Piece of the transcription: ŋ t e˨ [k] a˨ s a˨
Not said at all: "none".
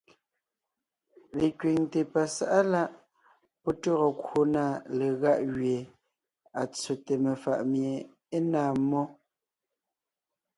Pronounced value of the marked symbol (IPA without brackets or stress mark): p